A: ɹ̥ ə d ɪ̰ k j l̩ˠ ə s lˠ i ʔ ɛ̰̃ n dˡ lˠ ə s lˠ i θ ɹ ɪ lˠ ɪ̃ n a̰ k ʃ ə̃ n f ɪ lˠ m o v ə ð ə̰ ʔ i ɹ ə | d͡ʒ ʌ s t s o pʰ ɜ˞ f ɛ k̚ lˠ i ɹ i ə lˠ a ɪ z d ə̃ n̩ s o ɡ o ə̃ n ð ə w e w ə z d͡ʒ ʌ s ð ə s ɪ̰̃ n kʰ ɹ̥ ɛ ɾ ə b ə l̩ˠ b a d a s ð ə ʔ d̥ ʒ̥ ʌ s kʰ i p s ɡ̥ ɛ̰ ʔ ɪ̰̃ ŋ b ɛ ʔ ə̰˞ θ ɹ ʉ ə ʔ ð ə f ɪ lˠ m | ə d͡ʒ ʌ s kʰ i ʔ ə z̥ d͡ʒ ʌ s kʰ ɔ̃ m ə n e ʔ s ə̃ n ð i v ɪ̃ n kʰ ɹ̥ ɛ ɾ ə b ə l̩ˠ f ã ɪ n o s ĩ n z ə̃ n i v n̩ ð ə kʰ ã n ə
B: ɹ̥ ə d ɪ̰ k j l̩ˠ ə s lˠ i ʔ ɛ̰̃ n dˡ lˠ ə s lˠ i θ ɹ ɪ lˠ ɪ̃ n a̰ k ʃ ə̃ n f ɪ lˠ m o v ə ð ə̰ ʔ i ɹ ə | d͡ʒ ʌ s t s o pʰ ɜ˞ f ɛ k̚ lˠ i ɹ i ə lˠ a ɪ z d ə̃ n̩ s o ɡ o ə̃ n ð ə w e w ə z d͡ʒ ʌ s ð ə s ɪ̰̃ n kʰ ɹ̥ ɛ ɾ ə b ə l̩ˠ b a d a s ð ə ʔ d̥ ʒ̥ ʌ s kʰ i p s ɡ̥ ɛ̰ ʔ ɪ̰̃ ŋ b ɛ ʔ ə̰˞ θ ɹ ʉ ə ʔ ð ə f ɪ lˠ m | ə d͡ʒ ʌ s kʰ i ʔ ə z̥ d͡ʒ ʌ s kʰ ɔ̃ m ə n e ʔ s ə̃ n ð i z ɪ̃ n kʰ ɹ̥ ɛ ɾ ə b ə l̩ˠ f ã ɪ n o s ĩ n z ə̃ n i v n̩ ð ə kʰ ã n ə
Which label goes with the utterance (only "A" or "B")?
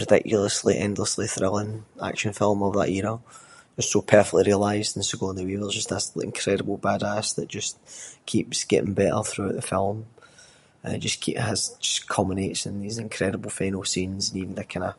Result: B